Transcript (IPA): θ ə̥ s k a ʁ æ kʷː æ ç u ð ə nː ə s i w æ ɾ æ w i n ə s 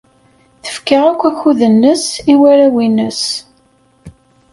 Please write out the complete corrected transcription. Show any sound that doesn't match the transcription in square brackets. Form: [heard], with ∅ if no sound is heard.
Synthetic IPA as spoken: θ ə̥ [f] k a ʁ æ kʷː æ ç u ð ə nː ə s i w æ ɾ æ w i n ə s